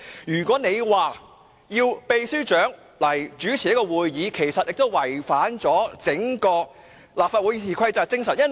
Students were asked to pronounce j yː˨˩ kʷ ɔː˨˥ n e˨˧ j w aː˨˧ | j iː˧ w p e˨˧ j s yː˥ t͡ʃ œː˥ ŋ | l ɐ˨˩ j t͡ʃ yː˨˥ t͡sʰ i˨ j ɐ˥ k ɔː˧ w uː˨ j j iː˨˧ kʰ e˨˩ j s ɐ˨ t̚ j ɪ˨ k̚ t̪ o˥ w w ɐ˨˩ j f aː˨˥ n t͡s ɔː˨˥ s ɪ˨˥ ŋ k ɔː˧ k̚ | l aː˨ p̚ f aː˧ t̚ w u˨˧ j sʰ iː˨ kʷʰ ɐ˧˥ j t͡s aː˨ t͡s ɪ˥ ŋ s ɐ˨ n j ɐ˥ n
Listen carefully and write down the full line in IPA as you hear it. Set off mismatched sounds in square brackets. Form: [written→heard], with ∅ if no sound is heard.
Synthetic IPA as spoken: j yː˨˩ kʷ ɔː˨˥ n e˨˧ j w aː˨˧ | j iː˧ w p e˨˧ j s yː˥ t͡ʃ [œː˥→œː˨˥] ŋ | l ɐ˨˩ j t͡ʃ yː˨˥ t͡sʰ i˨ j ɐ˥ k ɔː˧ w uː˨ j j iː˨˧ kʰ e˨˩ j s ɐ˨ t̚ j ɪ˨ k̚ t̪ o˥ w w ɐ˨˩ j f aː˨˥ n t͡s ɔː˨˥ [s→t͡s] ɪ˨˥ ŋ k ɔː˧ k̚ | l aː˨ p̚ f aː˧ t̚ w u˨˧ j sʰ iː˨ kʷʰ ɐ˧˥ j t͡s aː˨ t͡s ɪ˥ ŋ s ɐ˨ n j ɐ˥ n